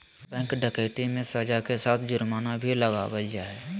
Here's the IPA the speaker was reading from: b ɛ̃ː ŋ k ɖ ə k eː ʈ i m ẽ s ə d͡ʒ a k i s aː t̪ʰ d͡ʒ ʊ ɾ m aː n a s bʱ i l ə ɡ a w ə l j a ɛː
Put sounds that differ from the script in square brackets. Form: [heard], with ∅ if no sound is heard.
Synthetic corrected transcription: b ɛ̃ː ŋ k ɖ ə k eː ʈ i m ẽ s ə d͡ʒ a k [e] s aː t̪ʰ d͡ʒ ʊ ɾ m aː n a [∅] bʱ i l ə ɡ a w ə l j a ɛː